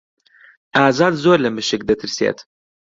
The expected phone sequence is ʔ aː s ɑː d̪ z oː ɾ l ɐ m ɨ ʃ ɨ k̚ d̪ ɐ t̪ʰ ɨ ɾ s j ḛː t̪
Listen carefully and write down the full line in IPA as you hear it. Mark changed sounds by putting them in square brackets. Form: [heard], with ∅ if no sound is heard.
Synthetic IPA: ʔ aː [z] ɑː d̪ z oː ɾ l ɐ m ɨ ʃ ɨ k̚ d̪ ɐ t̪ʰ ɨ ɾ s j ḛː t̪